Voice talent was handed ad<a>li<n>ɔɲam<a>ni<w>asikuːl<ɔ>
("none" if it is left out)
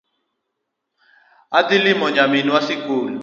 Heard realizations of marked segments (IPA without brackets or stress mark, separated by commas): i, m, i, w, u